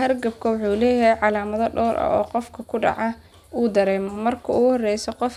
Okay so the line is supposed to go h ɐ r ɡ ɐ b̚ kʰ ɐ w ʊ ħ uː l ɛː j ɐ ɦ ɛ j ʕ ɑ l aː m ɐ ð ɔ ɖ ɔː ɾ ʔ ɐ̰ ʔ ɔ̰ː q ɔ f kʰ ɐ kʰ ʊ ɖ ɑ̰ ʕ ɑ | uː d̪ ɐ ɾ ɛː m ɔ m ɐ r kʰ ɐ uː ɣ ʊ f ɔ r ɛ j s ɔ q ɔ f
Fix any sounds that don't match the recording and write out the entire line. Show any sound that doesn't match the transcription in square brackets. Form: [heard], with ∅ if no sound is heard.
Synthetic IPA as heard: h ɐ r ɡ ɐ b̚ kʰ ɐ w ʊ ħ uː l ɛː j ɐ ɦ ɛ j ʕ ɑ l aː m ɐ ð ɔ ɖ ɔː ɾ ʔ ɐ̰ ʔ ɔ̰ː q ɔ f kʰ ɐ kʰ ʊ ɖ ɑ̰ ʕ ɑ | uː d̪ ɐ ɾ ɛː m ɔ m ɐ r kʰ ɐ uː ɣ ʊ [h] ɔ r ɛ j s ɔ q ɔ f